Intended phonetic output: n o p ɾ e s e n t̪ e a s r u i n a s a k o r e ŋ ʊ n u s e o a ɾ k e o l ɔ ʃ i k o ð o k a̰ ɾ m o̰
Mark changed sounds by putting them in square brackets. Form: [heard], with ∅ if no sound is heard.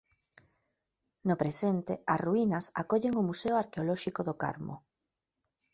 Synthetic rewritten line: n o p ɾ e s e n t̪ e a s r u i n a s a k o [ʎ] e ŋ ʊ [m] u s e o a ɾ k e o l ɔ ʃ i k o ð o k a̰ ɾ m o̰